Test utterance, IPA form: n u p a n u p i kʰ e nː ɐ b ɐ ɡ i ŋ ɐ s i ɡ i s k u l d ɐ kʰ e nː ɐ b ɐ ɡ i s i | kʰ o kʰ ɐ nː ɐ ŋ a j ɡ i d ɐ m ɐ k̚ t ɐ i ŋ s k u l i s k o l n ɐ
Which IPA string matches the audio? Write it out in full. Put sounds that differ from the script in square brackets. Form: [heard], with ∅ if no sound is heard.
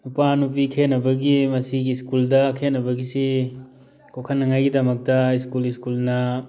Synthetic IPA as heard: n u p a n u p i kʰ e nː ɐ b ɐ ɡ i [m] ɐ s i ɡ i s k u l d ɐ kʰ e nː ɐ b ɐ ɡ i s i | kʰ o kʰ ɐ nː ɐ ŋ a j ɡ i d ɐ m ɐ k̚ t ɐ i [∅] s k u l i s k [u] l n ɐ